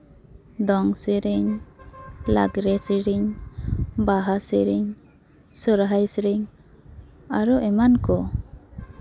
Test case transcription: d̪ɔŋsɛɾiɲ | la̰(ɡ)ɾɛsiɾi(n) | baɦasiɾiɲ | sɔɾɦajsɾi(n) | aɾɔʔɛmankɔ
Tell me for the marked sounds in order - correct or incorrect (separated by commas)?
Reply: correct, incorrect, incorrect